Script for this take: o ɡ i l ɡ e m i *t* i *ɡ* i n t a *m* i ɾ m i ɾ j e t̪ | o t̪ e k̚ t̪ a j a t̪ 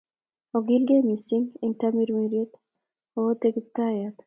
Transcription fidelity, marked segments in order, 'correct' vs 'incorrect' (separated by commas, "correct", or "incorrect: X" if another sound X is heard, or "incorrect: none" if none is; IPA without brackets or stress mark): incorrect: s, incorrect: ŋ, correct